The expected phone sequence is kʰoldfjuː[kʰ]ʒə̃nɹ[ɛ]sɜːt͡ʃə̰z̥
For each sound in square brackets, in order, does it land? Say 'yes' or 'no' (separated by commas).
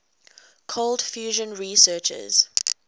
no, no